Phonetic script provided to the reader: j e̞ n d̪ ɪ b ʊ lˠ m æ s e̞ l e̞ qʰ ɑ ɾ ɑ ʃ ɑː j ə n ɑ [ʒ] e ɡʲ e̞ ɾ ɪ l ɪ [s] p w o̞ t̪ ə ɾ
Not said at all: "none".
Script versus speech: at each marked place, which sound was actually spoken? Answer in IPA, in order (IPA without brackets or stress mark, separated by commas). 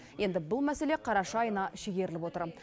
ʃ, none